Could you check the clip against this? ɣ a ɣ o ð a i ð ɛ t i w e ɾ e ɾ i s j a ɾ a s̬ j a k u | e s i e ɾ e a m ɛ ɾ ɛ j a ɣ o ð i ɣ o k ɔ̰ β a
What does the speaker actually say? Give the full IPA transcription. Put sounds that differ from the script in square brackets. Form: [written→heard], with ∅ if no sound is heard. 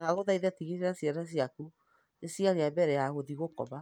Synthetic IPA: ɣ a ɣ o ð a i ð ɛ t i [w→ɣ] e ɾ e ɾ [i→a] s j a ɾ a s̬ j a k u | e s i [e→a] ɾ e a [m→b] ɛ ɾ ɛ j a ɣ o ð i ɣ o k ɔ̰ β a